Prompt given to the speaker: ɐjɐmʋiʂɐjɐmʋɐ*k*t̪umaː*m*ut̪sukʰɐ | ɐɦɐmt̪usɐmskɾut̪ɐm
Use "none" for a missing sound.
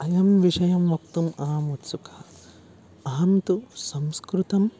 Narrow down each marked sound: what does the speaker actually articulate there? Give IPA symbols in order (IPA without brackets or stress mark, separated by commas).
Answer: k, m